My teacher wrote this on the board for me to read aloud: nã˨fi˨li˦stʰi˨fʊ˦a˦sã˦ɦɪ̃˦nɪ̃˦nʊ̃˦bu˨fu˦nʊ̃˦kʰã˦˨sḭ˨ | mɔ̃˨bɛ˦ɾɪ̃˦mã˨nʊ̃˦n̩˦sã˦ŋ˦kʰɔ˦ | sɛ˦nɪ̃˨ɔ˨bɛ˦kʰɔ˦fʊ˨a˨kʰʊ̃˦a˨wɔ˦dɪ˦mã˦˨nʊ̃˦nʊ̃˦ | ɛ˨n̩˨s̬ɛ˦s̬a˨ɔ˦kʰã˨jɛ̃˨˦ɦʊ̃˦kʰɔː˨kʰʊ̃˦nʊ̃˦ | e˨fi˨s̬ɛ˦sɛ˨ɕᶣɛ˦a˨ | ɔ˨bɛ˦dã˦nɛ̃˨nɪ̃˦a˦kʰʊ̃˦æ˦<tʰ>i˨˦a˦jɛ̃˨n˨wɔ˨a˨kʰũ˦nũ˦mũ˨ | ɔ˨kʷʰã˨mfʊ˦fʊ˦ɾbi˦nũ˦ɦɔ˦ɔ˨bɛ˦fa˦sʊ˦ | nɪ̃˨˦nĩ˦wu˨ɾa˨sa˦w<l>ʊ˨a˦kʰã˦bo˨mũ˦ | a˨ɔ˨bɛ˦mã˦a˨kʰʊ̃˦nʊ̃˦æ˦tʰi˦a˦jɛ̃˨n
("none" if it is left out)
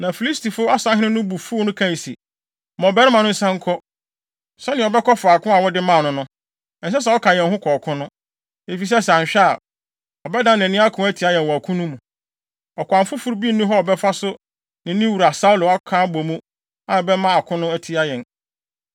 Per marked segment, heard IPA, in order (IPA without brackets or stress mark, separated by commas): tʰ, l